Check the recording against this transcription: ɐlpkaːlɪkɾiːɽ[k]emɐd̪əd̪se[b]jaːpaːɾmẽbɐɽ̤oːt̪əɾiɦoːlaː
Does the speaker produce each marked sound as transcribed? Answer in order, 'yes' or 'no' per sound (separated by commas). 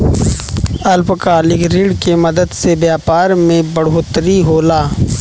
yes, yes